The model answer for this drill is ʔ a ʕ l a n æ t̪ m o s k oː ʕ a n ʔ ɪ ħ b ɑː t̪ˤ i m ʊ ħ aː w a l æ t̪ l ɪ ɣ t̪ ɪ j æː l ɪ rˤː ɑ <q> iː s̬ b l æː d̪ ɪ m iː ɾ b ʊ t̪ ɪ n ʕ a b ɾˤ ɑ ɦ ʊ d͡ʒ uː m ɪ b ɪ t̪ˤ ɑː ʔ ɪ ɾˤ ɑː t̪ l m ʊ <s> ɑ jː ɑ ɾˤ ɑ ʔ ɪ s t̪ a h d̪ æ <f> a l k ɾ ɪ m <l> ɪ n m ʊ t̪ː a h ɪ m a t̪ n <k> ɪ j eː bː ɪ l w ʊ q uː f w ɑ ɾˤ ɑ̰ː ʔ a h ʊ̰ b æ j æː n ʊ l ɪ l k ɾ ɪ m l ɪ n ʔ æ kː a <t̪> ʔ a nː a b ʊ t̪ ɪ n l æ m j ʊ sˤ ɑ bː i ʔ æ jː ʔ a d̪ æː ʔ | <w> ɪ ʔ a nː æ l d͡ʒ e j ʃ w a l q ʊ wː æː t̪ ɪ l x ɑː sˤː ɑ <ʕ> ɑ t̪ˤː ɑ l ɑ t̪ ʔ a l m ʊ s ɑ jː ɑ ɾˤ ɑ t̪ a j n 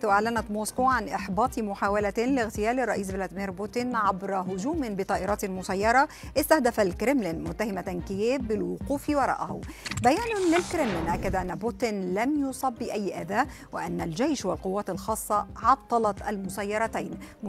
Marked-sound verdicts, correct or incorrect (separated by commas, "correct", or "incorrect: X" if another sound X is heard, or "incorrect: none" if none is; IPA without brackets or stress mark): incorrect: ʔ, correct, correct, correct, correct, incorrect: d̪, correct, correct